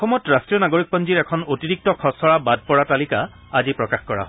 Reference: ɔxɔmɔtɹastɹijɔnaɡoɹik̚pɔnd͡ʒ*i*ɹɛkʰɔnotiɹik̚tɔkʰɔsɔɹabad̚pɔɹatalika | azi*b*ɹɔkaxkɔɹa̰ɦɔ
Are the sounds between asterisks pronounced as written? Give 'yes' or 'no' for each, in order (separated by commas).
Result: yes, no